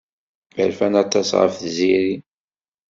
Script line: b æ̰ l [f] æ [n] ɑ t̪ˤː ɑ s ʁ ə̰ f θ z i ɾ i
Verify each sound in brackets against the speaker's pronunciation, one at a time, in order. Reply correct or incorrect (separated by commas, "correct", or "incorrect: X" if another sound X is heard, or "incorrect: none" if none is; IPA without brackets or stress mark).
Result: correct, correct